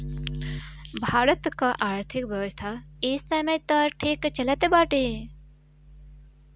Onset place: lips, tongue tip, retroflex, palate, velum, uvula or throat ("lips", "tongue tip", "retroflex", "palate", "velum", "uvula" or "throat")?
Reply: lips